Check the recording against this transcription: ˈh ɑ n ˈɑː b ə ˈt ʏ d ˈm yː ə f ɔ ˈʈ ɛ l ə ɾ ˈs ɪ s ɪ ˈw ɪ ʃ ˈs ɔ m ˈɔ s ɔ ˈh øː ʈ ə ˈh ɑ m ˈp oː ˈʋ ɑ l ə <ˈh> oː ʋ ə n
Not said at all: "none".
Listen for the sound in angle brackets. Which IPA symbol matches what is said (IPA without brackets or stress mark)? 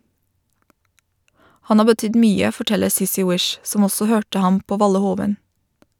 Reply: h